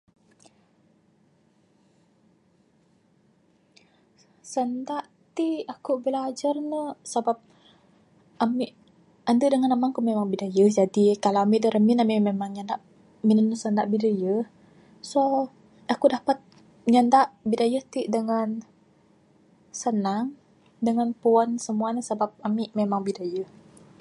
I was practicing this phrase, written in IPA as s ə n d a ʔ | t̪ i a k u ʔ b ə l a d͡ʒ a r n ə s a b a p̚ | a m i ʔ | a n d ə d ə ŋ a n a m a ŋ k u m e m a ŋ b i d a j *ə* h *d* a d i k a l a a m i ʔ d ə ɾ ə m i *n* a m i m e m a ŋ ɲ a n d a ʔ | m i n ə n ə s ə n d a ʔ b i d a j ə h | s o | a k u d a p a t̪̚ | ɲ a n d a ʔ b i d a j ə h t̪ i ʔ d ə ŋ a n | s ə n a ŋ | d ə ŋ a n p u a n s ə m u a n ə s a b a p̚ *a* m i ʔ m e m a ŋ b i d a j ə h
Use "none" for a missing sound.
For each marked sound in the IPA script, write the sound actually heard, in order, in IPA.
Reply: ə, d͡ʒ, n, a

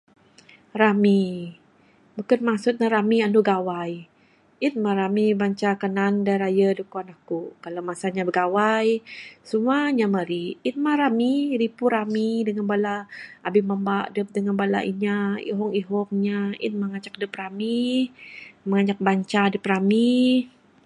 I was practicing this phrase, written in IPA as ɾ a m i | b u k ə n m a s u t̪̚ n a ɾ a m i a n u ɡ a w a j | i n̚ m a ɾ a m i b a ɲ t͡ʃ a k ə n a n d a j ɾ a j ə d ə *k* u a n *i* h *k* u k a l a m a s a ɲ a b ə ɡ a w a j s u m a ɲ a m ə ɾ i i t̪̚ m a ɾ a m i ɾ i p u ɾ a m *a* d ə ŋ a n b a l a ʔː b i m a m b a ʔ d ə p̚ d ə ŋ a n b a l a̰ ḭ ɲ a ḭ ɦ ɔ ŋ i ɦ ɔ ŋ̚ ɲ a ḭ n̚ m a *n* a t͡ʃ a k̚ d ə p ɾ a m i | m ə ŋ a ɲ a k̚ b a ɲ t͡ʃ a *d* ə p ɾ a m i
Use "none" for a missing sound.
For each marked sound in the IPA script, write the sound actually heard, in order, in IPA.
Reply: k, a, k, i, ŋ, d

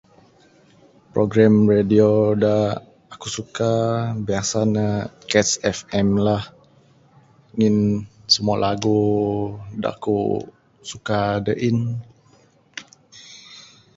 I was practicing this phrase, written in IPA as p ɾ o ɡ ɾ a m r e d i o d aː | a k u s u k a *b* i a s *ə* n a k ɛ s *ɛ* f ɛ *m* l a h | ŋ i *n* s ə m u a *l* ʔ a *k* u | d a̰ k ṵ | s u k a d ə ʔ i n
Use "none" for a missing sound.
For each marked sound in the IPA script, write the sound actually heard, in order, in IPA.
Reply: b, a, ɛ, m, n, l, ɡ

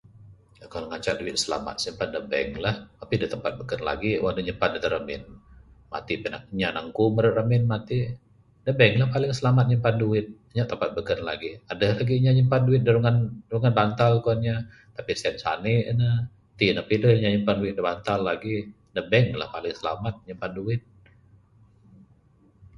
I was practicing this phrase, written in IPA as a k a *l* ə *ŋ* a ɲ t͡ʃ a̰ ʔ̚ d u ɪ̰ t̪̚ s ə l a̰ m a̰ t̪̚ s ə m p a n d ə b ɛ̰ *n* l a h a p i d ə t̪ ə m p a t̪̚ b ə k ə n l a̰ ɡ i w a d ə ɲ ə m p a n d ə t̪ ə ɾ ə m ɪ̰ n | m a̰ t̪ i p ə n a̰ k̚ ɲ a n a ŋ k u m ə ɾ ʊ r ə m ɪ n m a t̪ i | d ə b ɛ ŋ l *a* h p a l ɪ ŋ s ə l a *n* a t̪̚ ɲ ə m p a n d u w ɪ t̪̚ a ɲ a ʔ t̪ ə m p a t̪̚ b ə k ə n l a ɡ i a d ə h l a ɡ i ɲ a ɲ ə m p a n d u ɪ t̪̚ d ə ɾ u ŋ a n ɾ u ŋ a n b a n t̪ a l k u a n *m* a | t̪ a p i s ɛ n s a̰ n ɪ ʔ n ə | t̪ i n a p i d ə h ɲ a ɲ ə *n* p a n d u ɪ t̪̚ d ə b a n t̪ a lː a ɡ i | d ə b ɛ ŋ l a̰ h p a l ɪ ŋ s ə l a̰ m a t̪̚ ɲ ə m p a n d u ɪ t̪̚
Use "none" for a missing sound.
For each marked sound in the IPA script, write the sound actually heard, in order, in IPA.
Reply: l, ŋ, ŋ, a, m, ɲ, m

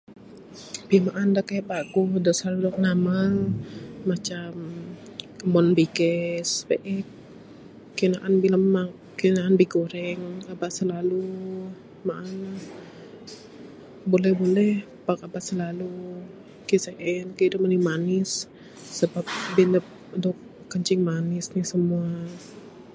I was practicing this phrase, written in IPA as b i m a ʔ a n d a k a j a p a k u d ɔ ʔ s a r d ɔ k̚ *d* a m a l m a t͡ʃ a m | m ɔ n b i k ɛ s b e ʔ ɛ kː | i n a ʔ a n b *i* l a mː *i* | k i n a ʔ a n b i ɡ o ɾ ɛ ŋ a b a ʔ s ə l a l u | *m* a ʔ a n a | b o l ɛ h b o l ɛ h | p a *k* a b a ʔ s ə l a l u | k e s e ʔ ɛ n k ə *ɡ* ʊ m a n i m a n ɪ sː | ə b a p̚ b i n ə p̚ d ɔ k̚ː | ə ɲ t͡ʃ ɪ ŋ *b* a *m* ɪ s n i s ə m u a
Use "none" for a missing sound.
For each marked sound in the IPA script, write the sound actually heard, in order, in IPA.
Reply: n, i, a, m, k, d, m, n

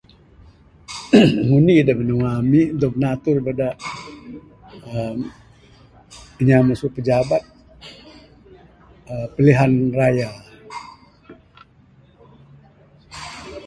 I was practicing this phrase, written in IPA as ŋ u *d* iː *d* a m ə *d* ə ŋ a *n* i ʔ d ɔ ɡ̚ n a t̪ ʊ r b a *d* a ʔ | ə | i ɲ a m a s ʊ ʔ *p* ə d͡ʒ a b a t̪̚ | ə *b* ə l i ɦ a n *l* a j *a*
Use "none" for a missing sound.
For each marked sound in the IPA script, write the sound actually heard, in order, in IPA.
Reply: n, d, n, m, d, p, p, r, a

